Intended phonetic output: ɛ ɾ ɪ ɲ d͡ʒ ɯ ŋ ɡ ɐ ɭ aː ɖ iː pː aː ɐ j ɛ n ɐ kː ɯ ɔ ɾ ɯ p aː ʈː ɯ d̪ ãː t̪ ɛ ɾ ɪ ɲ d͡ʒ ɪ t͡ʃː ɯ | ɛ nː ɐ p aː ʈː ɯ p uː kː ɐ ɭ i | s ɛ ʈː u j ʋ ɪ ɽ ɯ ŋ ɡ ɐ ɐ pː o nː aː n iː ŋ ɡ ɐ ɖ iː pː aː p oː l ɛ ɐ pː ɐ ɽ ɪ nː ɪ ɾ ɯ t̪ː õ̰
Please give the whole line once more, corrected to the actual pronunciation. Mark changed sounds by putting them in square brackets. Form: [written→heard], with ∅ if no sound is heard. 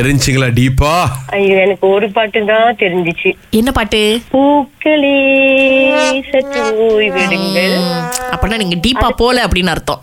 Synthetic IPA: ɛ ɾ ɪ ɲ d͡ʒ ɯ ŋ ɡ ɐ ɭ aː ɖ iː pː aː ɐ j ɛ n ɐ kː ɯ ɔ ɾ ɯ p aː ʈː ɯ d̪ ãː t̪ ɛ ɾ ɪ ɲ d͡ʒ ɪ t͡ʃː ɯ | ɛ nː ɐ p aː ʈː ɯ p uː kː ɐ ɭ i | s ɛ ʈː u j ʋ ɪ ɽ ɯ ŋ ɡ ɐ ɐ pː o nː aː n iː ŋ ɡ ɐ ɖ iː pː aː p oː l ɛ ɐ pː ɐ ɽ ɪ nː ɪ ɾ ɯ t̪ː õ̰